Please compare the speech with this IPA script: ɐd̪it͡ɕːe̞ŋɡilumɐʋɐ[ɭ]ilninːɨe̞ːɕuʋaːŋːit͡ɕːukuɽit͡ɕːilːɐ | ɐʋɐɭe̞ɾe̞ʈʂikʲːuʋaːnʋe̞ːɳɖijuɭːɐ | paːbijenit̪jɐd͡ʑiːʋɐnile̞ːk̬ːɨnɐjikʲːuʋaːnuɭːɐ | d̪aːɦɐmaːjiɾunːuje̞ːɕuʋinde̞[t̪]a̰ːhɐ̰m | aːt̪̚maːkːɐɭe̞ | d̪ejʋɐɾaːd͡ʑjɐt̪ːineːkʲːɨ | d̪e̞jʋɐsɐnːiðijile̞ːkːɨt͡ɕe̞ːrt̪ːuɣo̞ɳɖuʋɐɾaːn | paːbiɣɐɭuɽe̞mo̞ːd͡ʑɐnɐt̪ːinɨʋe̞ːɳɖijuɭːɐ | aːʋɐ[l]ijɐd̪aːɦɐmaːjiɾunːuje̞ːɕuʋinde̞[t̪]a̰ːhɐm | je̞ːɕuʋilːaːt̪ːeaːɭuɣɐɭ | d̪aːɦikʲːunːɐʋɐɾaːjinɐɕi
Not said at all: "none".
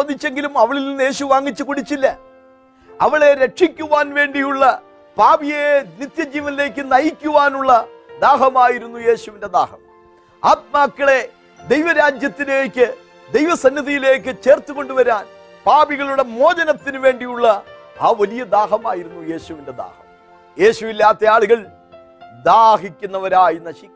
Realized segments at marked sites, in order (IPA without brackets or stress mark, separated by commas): ɭ, d̪, l, d̪